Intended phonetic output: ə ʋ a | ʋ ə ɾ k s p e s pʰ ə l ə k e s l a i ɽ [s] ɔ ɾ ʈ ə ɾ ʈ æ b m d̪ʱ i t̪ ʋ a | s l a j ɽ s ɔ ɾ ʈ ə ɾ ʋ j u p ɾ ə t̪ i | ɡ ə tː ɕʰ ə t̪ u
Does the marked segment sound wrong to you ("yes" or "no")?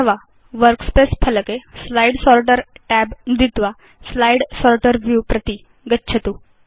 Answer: no